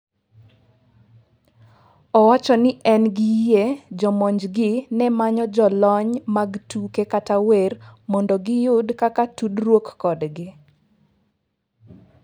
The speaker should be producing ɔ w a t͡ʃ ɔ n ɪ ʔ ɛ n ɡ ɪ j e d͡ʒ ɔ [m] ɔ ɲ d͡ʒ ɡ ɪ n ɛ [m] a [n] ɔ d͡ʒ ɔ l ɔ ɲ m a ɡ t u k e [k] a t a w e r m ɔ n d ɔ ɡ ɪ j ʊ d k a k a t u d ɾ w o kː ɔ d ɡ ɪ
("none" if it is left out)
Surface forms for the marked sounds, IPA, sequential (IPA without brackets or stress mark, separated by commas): m, m, ɲ, k